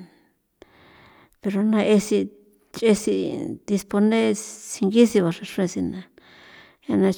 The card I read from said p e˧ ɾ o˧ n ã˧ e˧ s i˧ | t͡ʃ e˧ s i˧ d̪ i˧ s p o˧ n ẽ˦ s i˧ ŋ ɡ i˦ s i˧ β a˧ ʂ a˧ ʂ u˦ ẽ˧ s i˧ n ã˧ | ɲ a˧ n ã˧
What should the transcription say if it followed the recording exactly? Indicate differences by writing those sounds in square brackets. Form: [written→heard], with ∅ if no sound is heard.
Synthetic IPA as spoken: p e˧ ɾ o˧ n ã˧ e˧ s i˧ | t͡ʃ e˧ s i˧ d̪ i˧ s p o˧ n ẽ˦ s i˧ ŋ ɡ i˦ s i˧ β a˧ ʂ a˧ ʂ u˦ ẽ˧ s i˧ n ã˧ | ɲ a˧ n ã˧